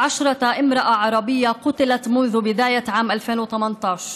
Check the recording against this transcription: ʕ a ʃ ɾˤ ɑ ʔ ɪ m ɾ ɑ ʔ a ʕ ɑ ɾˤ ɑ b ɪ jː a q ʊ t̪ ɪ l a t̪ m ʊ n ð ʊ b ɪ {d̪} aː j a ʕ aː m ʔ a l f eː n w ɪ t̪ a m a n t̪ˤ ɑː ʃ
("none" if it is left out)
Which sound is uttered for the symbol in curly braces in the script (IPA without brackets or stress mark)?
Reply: d̪